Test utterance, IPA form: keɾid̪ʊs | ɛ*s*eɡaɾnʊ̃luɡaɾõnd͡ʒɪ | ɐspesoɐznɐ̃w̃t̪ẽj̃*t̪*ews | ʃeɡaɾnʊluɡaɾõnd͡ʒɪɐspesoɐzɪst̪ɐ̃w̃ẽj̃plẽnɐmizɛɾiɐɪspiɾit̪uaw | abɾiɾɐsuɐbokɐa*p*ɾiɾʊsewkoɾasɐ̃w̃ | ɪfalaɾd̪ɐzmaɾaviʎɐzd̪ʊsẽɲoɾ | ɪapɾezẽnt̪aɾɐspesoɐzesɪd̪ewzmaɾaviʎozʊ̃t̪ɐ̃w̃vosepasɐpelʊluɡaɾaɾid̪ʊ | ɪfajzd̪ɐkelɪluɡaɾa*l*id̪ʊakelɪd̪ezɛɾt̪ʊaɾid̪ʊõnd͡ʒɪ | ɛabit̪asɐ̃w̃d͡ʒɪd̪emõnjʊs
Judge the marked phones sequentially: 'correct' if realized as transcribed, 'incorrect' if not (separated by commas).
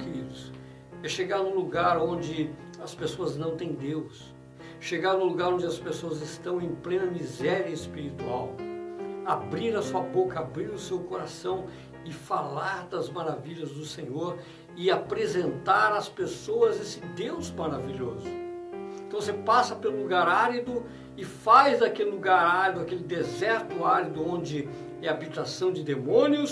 incorrect, incorrect, incorrect, incorrect